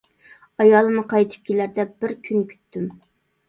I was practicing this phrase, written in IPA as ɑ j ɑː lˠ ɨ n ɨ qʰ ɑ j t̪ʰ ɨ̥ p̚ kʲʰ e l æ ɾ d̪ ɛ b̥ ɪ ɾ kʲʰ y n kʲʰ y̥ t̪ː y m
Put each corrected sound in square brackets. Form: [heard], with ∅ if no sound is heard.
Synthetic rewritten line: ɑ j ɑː lˠ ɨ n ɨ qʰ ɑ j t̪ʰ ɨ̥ p̚ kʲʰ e l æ ɾ d̪ ɛ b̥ ɪ ɾ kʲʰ y n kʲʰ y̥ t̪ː y m